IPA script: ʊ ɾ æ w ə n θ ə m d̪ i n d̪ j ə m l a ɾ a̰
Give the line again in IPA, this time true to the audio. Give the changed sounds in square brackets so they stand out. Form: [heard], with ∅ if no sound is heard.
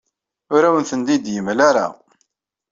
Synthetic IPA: ʊ ɾ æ w ə n θ ə [n] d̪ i [∅] d̪ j ə m l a ɾ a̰